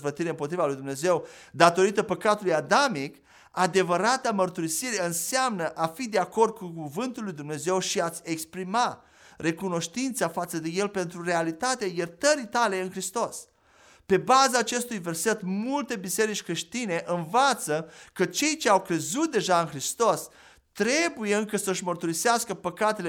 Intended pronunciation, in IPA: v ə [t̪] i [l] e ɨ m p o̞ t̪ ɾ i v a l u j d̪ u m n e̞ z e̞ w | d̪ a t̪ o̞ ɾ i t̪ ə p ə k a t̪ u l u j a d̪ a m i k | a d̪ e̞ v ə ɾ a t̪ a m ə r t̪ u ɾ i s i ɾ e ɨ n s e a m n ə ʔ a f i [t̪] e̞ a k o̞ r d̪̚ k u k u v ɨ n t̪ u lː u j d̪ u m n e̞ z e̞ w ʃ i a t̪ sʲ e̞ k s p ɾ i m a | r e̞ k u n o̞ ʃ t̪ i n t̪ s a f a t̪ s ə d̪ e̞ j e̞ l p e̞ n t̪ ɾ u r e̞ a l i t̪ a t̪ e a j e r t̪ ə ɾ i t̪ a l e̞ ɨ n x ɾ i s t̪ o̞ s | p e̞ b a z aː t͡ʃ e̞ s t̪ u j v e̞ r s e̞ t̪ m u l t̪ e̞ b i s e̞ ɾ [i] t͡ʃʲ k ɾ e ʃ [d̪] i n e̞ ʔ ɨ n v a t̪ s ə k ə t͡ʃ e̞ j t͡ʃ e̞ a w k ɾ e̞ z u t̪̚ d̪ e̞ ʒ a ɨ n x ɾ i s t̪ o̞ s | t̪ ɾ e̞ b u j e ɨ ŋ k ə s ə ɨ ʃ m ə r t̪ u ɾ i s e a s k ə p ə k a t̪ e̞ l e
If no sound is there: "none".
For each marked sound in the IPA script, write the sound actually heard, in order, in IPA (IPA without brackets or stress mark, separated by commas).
t̪, ɾ, d̪, i, t̪